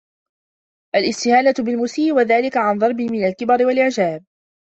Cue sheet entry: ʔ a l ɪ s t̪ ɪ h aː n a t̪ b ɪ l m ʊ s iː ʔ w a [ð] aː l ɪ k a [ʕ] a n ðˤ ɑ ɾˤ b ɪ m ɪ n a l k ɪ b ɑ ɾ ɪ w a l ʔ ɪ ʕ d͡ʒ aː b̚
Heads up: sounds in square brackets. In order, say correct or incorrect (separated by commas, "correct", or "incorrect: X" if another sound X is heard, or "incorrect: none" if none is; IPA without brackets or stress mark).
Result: correct, correct